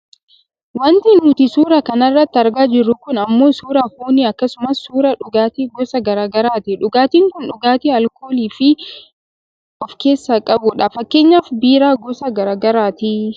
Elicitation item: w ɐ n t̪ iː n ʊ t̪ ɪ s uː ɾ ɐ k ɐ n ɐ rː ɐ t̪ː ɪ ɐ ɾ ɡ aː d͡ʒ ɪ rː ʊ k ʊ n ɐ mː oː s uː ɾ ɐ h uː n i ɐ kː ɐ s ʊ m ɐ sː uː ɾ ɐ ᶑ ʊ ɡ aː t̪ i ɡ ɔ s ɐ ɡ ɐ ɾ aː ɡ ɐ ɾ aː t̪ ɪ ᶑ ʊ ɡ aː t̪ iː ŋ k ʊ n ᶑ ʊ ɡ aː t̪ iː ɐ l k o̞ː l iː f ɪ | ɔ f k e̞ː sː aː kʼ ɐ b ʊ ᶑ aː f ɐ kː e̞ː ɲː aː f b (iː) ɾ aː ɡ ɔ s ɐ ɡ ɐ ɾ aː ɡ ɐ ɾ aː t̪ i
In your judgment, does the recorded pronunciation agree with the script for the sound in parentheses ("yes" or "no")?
yes